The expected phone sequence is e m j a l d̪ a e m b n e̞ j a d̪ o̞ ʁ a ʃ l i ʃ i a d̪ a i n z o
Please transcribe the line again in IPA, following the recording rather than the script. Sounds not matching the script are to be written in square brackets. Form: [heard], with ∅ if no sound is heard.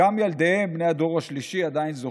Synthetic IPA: [a] m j a l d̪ [e] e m b n e̞ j a d̪ o̞ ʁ a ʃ l i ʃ i a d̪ a i n z o